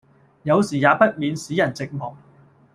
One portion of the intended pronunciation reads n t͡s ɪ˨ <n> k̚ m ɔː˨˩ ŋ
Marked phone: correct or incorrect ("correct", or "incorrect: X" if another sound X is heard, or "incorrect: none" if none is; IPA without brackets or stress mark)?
incorrect: none